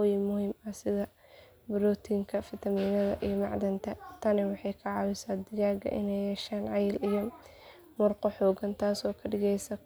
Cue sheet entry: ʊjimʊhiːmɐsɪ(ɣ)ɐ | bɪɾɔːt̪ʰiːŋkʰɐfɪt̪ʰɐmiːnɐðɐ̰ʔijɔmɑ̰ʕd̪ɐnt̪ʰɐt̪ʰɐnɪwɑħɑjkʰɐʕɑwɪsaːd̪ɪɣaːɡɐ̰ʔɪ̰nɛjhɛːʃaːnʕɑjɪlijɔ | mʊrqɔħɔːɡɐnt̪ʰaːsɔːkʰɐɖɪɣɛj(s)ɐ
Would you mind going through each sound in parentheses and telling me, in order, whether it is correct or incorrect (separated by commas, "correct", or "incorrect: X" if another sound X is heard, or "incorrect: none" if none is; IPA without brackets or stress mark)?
incorrect: ð, correct